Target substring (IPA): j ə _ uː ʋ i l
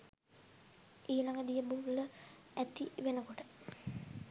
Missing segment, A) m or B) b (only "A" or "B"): B